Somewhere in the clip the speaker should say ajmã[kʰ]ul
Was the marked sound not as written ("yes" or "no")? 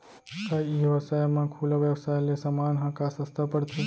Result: no